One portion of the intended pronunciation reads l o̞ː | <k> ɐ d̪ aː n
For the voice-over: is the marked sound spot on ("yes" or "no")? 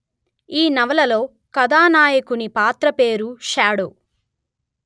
yes